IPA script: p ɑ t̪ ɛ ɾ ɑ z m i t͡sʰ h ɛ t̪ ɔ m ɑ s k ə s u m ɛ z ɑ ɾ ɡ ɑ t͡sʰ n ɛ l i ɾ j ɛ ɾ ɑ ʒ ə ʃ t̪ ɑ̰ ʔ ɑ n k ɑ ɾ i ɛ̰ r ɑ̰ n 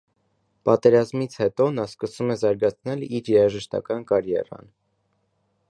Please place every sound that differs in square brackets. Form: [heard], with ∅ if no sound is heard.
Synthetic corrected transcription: p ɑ t̪ ɛ ɾ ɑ z m i t͡sʰ h ɛ t̪ ɔ [n] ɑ s k ə s u m ɛ z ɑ ɾ ɡ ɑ t͡sʰ n ɛ l i ɾ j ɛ ɾ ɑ ʒ ə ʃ t̪ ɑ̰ [k] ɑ n k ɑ ɾ [j] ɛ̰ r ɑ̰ n